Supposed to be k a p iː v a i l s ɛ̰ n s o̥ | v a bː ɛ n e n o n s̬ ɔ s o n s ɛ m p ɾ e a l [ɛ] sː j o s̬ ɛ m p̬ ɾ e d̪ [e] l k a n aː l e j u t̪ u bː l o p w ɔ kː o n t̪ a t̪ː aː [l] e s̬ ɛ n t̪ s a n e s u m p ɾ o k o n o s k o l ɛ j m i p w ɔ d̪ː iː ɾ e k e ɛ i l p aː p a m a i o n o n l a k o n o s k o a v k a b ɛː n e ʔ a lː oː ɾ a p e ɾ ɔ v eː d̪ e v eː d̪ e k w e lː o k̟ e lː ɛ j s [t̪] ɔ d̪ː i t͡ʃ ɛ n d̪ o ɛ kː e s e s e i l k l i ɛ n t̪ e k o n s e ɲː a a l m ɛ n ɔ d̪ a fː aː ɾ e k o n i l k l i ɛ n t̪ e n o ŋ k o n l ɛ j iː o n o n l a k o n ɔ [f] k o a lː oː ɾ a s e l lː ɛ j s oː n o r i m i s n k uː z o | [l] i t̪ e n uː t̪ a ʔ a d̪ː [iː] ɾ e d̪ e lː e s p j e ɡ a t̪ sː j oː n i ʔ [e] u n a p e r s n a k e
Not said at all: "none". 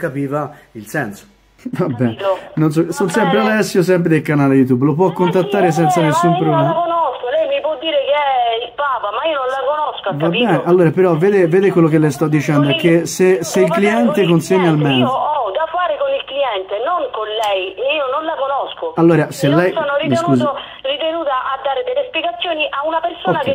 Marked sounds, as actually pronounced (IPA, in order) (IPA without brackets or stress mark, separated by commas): ɛ, e, ɾ, t̪, s, r, aː, a